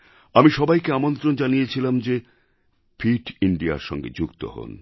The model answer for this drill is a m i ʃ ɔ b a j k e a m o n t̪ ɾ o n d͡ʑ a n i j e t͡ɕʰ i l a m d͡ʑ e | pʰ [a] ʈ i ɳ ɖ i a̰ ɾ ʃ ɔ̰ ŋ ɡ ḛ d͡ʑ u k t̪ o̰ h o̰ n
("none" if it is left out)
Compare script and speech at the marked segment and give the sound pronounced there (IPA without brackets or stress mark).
i